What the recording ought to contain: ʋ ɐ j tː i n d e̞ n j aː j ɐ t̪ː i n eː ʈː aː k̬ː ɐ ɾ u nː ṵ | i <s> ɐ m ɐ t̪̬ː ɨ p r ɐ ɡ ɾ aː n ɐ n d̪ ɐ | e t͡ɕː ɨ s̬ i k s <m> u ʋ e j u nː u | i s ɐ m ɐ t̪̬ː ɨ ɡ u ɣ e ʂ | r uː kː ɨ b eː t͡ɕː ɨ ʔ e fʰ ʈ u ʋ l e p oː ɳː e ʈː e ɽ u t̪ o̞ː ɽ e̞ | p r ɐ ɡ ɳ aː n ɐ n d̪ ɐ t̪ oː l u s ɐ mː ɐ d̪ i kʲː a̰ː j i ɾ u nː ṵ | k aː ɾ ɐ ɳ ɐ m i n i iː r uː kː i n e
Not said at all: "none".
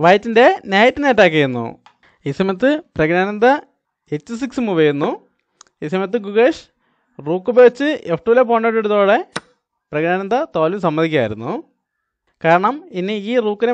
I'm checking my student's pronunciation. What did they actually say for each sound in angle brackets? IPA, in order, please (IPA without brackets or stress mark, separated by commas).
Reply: s, m